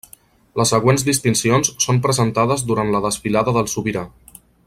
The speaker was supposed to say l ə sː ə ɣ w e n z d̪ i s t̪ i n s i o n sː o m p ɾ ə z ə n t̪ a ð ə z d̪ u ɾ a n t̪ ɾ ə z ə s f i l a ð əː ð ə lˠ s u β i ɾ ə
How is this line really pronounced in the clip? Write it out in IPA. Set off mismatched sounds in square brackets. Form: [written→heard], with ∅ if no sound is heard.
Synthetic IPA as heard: l ə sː ə ɣ w e n z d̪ i s t̪ i n s i o n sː o m p ɾ ə z ə n t̪ a ð ə z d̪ u ɾ a n t̪ [ɾ→l] ə [z→ð] ə s f i l a ð [əː→ə] ð ə lˠ s u β i ɾ [ə→a]